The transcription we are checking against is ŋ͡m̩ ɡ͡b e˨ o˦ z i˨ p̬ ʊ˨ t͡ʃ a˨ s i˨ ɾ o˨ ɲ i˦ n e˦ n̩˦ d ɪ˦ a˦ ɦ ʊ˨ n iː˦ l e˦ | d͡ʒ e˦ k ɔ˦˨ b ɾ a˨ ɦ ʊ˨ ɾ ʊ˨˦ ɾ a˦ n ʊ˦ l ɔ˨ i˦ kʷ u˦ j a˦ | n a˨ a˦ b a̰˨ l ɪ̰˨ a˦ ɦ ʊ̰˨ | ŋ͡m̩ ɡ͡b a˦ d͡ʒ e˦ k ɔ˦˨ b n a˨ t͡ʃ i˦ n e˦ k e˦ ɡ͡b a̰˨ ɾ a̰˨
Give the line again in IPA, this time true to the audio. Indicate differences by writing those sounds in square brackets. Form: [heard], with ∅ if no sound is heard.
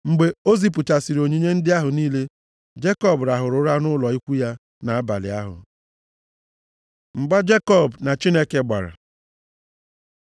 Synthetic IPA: ŋ͡m̩ ɡ͡b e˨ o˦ z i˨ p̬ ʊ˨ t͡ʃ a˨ s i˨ ɾ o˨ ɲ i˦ [ɲ] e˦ n̩˦ d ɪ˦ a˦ ɦ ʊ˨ n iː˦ l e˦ | d͡ʒ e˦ k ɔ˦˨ b ɾ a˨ ɦ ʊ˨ ɾ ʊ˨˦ ɾ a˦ n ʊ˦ l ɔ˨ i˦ kʷ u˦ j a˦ | n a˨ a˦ b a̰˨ l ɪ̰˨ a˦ ɦ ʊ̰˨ | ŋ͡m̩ ɡ͡b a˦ d͡ʒ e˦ k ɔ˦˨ b n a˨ t͡ʃ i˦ n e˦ k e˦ ɡ͡b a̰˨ ɾ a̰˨